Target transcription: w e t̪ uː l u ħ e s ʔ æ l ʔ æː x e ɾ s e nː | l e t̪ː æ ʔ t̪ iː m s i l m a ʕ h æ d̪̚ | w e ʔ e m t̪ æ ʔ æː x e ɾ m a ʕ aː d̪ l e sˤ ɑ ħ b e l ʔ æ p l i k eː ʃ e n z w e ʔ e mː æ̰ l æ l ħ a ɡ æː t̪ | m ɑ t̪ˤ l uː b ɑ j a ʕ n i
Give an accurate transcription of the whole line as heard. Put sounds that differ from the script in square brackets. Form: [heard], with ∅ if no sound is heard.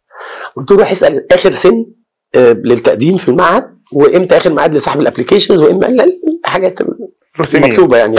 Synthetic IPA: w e t̪ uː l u ħ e s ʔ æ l ʔ æː x e ɾ s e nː | l e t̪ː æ ʔ [d̪] iː m [f] i l m a ʕ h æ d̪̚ | w e ʔ e m t̪ æ ʔ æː x e ɾ m a ʕ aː d̪ l e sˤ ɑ ħ b e l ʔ æ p l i k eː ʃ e n z w e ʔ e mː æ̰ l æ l ħ a ɡ æː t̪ | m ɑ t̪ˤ l uː b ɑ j a ʕ n i